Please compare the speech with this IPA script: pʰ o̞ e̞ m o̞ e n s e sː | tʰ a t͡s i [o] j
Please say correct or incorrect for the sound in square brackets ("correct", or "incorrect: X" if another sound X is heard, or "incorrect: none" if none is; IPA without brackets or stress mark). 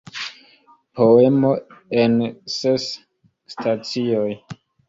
correct